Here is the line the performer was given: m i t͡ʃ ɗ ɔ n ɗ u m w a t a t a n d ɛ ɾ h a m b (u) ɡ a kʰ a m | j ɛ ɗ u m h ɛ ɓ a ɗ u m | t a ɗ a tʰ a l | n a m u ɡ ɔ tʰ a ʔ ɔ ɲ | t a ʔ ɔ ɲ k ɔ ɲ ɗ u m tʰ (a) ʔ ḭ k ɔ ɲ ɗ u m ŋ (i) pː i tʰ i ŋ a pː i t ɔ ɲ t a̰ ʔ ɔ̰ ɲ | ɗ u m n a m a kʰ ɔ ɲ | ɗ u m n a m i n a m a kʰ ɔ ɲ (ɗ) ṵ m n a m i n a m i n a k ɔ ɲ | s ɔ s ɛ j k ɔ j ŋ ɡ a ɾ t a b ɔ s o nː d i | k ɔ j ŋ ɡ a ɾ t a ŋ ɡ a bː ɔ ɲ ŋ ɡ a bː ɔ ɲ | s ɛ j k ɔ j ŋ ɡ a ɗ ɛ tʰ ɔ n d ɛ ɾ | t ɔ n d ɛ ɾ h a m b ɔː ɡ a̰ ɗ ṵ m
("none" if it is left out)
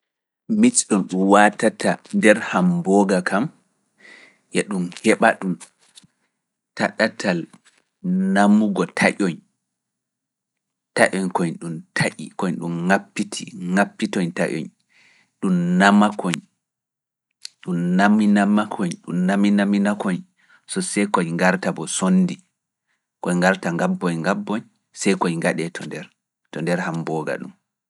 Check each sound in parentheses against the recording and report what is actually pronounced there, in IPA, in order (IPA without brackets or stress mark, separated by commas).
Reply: ɔ, a, a, ɗ